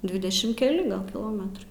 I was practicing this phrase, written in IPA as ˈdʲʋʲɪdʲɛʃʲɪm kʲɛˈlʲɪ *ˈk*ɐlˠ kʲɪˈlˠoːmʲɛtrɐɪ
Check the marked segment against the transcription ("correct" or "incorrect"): incorrect